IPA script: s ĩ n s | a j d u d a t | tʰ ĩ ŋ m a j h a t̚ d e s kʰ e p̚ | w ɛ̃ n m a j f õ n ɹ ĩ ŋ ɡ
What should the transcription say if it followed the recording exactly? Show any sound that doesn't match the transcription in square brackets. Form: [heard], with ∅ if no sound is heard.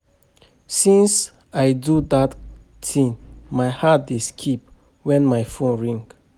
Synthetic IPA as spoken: s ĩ n s | a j d u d a t | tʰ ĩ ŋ m a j h a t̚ d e s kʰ [i] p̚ | w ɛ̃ n m a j f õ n ɹ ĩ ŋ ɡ